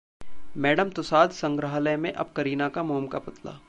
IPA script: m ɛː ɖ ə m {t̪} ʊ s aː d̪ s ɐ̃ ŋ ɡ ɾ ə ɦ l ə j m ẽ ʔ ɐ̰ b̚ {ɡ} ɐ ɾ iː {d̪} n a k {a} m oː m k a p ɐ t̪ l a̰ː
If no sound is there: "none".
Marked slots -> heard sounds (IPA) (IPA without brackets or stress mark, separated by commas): t̪, k, none, a